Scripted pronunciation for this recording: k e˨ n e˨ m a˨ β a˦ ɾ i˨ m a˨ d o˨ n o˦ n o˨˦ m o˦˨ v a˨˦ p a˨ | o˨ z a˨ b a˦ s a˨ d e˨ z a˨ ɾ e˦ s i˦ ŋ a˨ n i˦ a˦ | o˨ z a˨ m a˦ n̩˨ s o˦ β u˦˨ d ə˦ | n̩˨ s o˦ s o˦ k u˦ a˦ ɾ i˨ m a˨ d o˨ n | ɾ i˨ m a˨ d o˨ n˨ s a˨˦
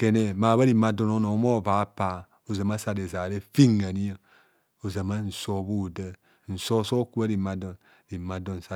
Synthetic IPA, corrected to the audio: k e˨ n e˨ m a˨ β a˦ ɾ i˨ m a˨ d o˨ n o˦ n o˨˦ m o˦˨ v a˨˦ p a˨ | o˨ z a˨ m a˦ s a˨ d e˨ z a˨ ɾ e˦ f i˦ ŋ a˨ n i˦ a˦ | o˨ z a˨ m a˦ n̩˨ s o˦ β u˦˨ d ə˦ | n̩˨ s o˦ s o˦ k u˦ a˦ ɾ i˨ m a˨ d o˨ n | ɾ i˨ m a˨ d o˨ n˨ s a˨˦